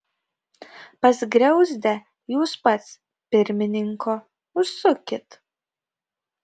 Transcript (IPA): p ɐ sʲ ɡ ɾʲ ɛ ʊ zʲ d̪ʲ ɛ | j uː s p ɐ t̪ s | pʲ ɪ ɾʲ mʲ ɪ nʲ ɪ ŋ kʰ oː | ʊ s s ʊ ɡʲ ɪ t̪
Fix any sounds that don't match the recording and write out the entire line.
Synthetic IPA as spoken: p ɐ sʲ ɡ ɾʲ ɛ ʊ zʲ d̪ʲ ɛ | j uː s p ɐ t̪ s | pʲ ɪ ɾʲ mʲ ɪ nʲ ɪ ŋ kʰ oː | ʊ ʃ s ʊ kʲ ɪ t̪